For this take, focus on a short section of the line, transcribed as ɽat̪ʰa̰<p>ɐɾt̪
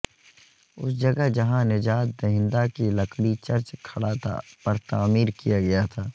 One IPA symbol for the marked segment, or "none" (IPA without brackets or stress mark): p